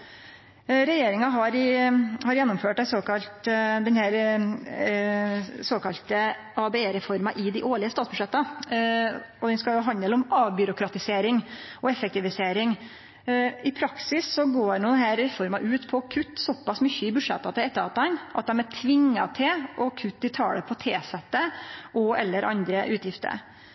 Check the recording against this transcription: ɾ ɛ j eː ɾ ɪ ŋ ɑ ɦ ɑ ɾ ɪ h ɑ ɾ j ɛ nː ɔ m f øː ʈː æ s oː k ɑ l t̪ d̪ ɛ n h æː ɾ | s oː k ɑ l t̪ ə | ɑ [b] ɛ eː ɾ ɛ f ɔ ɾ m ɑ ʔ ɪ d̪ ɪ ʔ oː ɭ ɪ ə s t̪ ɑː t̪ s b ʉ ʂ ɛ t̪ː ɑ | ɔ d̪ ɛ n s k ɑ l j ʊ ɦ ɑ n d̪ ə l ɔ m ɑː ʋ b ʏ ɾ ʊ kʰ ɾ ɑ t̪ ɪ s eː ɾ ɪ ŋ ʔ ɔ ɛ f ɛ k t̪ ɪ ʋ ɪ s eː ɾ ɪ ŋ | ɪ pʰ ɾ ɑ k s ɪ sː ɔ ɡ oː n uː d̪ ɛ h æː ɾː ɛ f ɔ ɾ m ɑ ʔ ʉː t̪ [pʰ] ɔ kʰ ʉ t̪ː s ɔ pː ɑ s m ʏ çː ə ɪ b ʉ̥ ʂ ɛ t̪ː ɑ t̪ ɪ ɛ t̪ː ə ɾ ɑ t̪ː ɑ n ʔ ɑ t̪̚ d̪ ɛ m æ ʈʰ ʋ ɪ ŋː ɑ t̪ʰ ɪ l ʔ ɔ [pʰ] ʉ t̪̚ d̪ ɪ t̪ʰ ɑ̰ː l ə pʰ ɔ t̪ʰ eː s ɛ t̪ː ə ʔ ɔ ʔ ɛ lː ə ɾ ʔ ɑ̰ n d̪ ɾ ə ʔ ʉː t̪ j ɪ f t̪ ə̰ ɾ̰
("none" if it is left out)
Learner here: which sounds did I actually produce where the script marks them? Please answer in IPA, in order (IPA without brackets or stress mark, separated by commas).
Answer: b, pʰ, kʰ